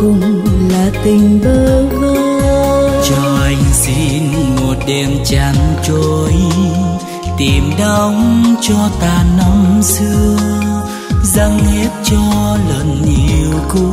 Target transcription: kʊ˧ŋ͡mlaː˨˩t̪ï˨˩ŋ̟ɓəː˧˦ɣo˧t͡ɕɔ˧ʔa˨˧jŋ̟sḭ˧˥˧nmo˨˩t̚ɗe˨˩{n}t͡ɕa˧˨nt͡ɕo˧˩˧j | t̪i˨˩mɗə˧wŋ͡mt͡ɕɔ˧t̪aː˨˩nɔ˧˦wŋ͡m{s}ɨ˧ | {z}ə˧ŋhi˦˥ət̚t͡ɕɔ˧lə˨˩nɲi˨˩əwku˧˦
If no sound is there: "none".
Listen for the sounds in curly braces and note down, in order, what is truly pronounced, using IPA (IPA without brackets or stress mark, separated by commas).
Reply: m, s, z